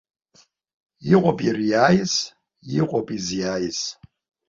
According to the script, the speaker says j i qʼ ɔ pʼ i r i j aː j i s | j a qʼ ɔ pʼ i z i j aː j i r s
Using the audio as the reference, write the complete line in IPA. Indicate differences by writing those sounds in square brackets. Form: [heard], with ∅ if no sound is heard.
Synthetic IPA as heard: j i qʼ ɔ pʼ i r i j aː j i s | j [i] qʼ ɔ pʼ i z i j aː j i [∅] s